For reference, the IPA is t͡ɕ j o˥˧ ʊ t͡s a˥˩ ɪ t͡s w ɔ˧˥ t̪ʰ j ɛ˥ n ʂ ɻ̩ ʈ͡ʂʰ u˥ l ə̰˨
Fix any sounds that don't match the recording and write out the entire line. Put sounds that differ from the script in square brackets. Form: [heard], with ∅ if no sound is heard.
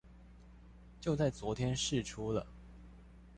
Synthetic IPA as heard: t͡ɕ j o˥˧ ʊ t͡s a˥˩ ɪ t͡s w ɔ˧˥ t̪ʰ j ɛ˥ n ʂ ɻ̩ ʈ͡ʂʰ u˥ l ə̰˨